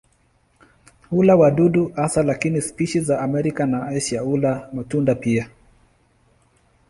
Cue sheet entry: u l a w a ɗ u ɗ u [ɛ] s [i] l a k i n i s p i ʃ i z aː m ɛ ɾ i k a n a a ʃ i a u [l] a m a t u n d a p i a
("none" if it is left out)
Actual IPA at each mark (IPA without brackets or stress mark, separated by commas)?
a, a, l